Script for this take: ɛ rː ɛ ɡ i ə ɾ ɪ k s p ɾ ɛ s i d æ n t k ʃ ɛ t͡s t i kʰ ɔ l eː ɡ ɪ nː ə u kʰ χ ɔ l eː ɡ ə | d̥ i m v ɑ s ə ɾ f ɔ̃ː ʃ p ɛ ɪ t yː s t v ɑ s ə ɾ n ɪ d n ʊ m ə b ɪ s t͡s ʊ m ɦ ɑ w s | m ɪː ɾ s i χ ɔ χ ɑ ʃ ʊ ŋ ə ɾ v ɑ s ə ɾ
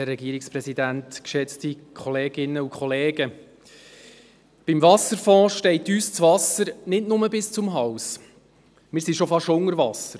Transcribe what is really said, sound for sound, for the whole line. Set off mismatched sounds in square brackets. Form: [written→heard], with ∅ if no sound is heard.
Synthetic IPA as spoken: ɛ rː ɛ ɡ i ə ɾ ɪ k s p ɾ ɛ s i d æ n t k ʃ ɛ t͡s t i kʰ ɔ l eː ɡ ɪ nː ə u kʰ χ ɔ l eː ɡ ə | [d̥→b̥] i m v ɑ s ə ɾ f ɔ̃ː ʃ [p→t] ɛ ɪ t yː s [t→t͡s] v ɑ s ə ɾ n ɪ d n ʊ m ə b ɪ s t͡s ʊ m ɦ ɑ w s | m ɪː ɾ s i [χ→ʃ] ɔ [χ→f] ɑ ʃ ʊ ŋ ə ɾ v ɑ s ə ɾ